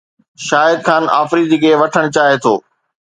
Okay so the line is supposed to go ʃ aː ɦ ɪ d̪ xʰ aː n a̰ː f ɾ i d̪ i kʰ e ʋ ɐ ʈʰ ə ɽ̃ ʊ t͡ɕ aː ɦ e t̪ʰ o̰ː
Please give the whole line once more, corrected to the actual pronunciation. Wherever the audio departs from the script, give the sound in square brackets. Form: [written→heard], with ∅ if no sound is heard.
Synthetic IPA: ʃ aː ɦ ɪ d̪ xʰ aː n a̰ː f ɾ i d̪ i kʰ e ʋ ɐ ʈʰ ə ɽ̃ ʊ t͡ɕ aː ɦ e t̪ʰ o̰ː

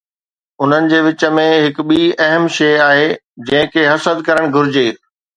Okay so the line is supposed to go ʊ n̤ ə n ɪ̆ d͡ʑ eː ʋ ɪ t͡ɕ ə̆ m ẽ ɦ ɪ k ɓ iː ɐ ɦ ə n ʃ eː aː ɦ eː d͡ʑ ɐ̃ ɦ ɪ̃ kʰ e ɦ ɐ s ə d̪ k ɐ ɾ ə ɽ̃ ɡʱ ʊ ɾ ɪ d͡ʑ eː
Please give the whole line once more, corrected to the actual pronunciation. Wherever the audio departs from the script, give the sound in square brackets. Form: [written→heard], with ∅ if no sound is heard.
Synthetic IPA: ʊ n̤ ə n ɪ̆ d͡ʑ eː ʋ ɪ t͡ɕ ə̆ m ẽ ɦ ɪ k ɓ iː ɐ ɦ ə [n→m] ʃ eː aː ɦ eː d͡ʑ ɐ̃ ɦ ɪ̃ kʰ e ɦ ɐ s ə d̪ k ɐ ɾ ə ɽ̃ ɡʱ ʊ ɾ ɪ d͡ʑ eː

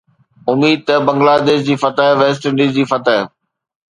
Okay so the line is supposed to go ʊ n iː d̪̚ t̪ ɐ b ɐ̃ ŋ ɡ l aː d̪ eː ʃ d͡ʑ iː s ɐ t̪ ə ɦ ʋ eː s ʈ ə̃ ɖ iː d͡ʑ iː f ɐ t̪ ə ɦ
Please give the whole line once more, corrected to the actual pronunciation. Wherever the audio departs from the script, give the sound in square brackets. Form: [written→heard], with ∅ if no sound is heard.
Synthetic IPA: ʊ [n→m] iː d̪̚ t̪ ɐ b ɐ̃ ŋ ɡ l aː d̪ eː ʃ d͡ʑ iː [s→f] ɐ t̪ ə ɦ ʋ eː s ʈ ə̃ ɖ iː d͡ʑ iː f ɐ t̪ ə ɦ

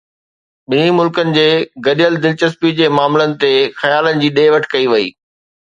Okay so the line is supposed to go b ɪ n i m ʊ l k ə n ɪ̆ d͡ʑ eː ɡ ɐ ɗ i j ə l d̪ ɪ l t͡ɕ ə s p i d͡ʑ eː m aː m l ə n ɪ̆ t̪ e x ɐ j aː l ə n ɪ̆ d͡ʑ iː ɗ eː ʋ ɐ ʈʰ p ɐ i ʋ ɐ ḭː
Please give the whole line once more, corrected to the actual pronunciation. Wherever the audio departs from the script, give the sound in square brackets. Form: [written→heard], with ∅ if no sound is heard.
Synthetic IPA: [b→ɓ] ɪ n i m ʊ l k ə n ɪ̆ d͡ʑ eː ɡ ɐ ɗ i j ə l d̪ ɪ l t͡ɕ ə s p i d͡ʑ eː m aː m l ə n ɪ̆ t̪ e x ɐ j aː l ə n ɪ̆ d͡ʑ iː ɗ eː ʋ ɐ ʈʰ [p→k] ɐ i ʋ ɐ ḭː

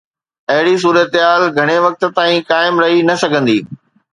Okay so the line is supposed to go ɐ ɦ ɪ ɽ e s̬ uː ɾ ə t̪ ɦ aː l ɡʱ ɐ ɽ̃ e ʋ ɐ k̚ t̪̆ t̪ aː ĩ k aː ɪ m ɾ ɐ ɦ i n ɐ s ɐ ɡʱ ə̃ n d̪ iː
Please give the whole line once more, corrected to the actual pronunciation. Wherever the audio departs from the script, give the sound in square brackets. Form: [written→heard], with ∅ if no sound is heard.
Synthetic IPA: ɐ ɦ ɪ ɽ [e→i] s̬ uː ɾ ə t̪ ɦ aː l ɡʱ ɐ ɽ̃ e ʋ ɐ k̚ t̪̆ t̪ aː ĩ k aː ɪ m ɾ ɐ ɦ i n ɐ s ɐ ɡʱ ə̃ n d̪ iː

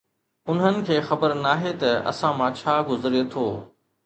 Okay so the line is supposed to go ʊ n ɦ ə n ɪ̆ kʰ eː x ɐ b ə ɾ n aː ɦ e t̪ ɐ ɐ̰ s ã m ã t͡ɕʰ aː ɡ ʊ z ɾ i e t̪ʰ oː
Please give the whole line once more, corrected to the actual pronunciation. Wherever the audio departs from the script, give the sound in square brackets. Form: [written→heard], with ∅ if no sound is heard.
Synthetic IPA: ʊ n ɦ ə n ɪ̆ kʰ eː x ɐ b ə ɾ n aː ɦ e t̪ ɐ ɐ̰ s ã m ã t͡ɕʰ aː ɡ ʊ z ɾ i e t̪ʰ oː

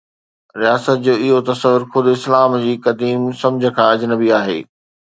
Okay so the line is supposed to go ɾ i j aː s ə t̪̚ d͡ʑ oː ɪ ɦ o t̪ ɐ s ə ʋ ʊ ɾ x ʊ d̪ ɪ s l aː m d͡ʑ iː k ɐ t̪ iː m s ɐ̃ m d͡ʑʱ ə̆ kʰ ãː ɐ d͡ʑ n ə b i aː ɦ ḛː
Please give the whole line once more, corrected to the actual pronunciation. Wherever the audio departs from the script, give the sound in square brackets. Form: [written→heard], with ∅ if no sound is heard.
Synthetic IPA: ɾ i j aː s ə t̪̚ d͡ʑ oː ɪ ɦ o t̪ ɐ s ə ʋ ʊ ɾ x ʊ d̪ ɪ s l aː m d͡ʑ iː k ɐ [t̪→d̪] iː m s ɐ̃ m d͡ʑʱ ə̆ kʰ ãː ɐ d͡ʑ n ə b i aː ɦ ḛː

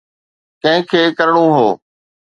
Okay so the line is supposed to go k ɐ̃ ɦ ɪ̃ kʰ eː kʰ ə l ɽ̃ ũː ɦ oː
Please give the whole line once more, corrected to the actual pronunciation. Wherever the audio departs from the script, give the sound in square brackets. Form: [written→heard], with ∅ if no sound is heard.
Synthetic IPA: k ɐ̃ ɦ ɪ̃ kʰ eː [kʰ→k] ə [l→ɾ] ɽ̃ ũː ɦ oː

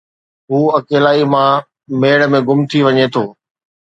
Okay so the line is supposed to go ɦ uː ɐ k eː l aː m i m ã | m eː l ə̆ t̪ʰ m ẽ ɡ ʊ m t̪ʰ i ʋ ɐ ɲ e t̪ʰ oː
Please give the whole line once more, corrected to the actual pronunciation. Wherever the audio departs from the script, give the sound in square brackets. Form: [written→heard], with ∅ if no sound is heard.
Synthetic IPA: ɦ uː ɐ k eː l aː [m→∅] i m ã | m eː [l→ɽ] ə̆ [t̪ʰ→∅] m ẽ ɡ ʊ m t̪ʰ i ʋ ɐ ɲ e t̪ʰ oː

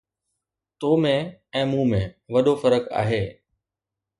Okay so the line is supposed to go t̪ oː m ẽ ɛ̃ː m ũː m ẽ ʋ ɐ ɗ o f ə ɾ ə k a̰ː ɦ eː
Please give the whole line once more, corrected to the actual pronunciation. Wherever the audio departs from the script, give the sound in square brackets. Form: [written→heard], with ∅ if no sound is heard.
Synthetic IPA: t̪ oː m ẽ ɛ̃ː m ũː m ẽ ʋ ɐ ɗ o f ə ɾ ə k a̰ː ɦ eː

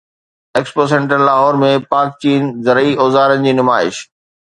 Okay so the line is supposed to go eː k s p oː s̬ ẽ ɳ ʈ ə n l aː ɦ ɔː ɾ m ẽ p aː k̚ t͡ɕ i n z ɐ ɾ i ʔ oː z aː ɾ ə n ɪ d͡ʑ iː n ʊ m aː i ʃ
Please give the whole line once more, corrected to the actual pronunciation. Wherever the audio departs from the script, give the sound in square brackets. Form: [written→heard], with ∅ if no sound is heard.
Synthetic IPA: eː k s p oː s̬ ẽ ɳ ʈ ə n l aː ɦ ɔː ɾ m ẽ p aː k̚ t͡ɕ [i→iː] n z ɐ ɾ i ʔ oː z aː ɾ ə n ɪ d͡ʑ iː n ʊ m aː [i→ɪ] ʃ

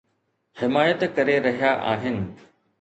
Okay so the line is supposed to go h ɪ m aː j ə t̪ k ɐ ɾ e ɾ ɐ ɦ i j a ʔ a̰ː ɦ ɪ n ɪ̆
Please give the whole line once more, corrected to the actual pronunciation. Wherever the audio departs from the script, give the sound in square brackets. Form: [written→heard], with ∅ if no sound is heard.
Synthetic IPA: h ɪ m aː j ə t̪ k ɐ ɾ e ɾ ɐ ɦ i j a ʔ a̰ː ɦ ɪ n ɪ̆

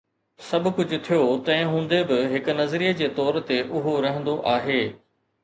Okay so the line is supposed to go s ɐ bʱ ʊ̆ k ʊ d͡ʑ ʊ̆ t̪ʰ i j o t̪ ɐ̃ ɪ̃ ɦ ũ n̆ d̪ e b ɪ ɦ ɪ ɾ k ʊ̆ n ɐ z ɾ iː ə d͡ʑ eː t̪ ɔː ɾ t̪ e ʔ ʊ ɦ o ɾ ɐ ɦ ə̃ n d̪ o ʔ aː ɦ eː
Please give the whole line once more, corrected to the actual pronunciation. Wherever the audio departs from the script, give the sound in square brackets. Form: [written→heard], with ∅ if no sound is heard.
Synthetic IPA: s ɐ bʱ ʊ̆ k ʊ d͡ʑ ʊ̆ t̪ʰ i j o t̪ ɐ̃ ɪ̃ ɦ [ũ→ũː] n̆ d̪ e b ɪ ɦ ɪ [ɾ→∅] k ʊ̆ n ɐ z ɾ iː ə d͡ʑ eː t̪ ɔː ɾ t̪ e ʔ ʊ ɦ o ɾ ɐ ɦ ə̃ n d̪ o ʔ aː ɦ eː

